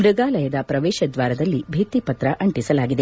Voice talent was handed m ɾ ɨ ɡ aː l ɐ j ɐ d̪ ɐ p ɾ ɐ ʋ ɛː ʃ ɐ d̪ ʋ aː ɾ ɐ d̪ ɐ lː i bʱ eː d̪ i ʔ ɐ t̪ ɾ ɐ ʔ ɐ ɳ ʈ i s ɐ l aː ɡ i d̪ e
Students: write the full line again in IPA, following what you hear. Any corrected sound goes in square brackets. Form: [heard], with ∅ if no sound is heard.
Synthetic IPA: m ɾ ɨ ɡ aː l ɐ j ɐ d̪ ɐ p ɾ ɐ ʋ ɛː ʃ ɐ d̪ ʋ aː ɾ ɐ d̪ ɐ lː i bʱ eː [t̪] i [p] ɐ t̪ ɾ ɐ ʔ ɐ ɳ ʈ i s ɐ l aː ɡ i d̪ e